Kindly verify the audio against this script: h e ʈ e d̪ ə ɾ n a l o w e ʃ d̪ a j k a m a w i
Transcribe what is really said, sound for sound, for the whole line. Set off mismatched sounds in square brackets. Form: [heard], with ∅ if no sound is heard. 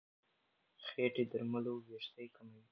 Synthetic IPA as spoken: [x] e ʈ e d̪ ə ɾ [m] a l o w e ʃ [t̪] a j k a m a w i